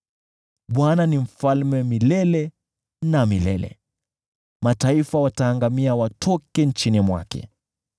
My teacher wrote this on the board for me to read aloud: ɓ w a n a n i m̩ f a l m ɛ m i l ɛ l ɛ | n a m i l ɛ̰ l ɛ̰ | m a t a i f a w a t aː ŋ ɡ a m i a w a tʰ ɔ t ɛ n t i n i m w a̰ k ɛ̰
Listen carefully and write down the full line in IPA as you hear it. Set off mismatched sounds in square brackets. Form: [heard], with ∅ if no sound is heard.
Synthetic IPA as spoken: ɓ w a n a n i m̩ f a l m ɛ m i l ɛ l ɛ | n a m i l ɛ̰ l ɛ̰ | m a t a i f a w a t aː ŋ ɡ a m i a w a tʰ ɔ [k] ɛ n [t͡ʃ] i n i m w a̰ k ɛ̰